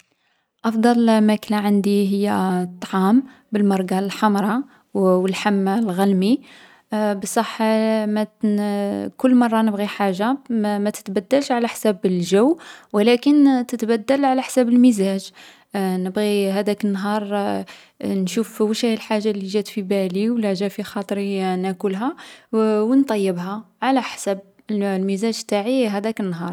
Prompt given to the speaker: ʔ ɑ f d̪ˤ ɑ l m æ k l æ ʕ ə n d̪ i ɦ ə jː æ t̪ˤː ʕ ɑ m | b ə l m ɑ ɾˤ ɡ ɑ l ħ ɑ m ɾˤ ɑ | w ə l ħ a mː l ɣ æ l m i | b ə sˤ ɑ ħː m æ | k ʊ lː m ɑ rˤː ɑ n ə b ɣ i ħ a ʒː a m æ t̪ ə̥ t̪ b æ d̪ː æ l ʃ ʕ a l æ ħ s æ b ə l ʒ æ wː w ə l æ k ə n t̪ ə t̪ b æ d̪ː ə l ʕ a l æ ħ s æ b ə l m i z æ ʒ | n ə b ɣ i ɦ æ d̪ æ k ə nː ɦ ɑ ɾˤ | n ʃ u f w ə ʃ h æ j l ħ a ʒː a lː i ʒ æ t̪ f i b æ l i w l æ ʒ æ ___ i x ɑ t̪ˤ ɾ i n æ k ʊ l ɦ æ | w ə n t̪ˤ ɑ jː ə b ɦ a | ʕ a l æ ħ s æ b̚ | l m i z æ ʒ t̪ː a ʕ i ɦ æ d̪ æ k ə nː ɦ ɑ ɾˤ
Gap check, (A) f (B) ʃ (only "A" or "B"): A